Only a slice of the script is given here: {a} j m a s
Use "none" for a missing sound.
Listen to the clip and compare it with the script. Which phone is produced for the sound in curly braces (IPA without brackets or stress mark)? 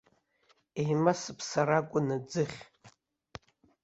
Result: e